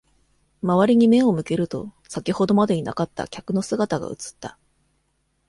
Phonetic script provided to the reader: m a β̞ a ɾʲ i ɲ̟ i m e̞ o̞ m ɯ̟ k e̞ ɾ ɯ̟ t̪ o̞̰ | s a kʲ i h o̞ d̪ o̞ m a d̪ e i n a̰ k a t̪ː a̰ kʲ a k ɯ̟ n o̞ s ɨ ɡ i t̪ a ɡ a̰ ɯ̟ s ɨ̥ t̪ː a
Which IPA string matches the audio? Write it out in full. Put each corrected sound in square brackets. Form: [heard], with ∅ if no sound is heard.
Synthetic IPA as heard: m a β̞ a ɾʲ i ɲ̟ i m e̞ o̞ m ɯ̟ k e̞ ɾ ɯ̟ t̪ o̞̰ | s a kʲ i h o̞ d̪ o̞ m a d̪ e i n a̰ k a t̪ː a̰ kʲ a k ɯ̟ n o̞ s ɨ ɡ [a] t̪ a ɡ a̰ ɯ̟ [t͡s] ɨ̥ t̪ː a